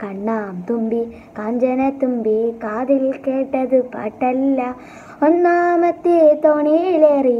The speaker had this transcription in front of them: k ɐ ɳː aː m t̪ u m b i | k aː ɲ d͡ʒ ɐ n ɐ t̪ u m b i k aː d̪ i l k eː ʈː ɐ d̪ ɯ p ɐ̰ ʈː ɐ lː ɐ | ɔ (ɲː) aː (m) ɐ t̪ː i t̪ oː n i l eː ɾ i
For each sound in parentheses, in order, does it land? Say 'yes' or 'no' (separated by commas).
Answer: no, yes